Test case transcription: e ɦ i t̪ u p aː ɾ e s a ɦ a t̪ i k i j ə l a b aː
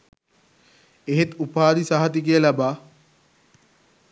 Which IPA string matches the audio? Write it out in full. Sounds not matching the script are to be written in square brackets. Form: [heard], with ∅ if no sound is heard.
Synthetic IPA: e ɦ [e] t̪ u p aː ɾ [i] s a ɦ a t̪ i k i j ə l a b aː

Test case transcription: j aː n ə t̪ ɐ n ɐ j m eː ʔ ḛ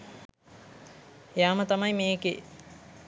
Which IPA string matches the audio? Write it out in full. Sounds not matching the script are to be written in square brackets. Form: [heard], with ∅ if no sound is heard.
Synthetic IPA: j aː [m] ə t̪ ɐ [m] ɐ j m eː [k] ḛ

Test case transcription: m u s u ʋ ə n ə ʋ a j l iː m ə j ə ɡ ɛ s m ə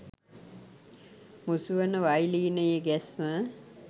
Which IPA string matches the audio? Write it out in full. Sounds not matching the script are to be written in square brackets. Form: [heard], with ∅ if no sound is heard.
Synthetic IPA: m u s u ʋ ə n ə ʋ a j l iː [n] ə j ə ɡ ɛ s m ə

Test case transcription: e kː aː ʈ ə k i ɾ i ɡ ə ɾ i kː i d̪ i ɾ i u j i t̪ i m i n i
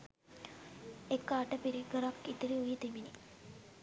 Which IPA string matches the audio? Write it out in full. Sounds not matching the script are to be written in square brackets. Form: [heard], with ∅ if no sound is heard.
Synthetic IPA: e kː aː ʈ ə [p] i ɾ i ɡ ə ɾ [a] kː i [t̪] i ɾ i u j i t̪ i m i n i

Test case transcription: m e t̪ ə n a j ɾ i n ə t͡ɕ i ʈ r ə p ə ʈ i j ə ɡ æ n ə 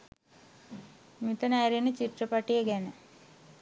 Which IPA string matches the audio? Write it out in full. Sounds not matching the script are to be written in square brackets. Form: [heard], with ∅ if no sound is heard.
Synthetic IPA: m [i] t̪ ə n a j ɾ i n ə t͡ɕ i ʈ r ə p [a] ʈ i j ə ɡ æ n ə

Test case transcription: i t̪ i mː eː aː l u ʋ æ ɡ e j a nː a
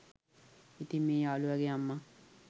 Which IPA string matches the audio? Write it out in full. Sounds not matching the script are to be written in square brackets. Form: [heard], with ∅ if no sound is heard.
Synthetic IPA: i t̪ i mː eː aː l u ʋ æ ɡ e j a [mː] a

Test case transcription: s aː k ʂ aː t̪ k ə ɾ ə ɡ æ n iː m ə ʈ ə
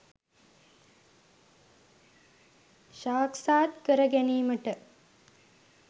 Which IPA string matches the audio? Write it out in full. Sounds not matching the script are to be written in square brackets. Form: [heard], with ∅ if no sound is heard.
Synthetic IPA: [ʃ] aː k [s] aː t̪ k ə ɾ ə ɡ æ n iː m ə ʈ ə

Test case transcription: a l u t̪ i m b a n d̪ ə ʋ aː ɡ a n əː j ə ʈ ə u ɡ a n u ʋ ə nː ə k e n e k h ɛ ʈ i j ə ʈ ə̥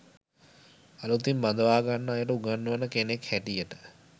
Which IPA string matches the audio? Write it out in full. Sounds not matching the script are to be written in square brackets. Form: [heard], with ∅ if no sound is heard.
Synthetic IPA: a l u t̪ i m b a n d̪ ə ʋ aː ɡ a [nː] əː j ə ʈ ə u ɡ a [nː] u ʋ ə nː ə k e n e k h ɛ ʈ i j ə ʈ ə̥

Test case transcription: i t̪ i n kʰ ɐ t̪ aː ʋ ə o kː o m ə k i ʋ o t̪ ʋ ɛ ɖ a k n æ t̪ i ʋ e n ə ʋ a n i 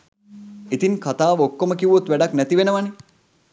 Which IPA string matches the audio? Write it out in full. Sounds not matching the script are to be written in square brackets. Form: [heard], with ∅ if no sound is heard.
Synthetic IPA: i t̪ i n kʰ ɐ t̪ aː ʋ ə o kː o m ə k i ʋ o t̪ ʋ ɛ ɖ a k n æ t̪ i ʋ e n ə ʋ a n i

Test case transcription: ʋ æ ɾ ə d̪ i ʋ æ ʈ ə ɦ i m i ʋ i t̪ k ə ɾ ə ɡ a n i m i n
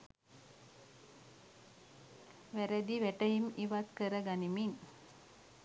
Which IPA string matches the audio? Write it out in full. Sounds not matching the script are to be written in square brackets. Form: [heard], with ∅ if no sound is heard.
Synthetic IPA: ʋ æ ɾ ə d̪ i ʋ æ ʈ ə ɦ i m i ʋ [a] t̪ k ə ɾ ə ɡ a n i m i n

